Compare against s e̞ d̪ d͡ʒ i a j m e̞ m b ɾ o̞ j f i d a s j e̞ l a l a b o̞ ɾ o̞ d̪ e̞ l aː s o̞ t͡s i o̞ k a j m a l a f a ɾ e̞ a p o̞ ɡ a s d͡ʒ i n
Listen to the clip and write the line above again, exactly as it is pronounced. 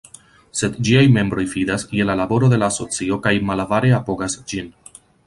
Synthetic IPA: s e̞ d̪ d͡ʒ i a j m e̞ m b ɾ o̞ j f i d a s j e̞ l a l a b o̞ ɾ o̞ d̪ e̞ l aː s o̞ t͡s i o̞ k a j m a l a v a ɾ e̞ a p o̞ ɡ a s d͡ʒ i n